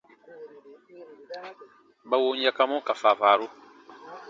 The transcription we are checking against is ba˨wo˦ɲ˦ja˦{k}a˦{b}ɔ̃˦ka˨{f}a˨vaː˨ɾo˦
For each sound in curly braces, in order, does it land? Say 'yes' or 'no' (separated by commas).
yes, no, yes